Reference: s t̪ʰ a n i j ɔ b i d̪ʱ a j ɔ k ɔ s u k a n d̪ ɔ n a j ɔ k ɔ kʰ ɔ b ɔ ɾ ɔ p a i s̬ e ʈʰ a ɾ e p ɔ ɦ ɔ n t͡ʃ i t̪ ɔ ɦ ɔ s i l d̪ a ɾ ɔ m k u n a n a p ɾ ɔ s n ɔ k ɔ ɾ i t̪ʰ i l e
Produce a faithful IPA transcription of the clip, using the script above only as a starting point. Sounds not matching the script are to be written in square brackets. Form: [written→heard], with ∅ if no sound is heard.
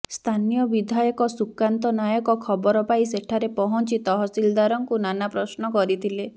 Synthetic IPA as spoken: s t̪ʰ a n i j ɔ b i d̪ʱ a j ɔ k ɔ s u k a n [d̪→t̪] ɔ n a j ɔ k ɔ kʰ ɔ b ɔ ɾ ɔ p a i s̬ e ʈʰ a ɾ e p ɔ ɦ ɔ n t͡ʃ i t̪ ɔ ɦ ɔ s i l d̪ a ɾ ɔ [m→ŋ] k u n a n a p ɾ ɔ s n ɔ k ɔ ɾ i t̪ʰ i l e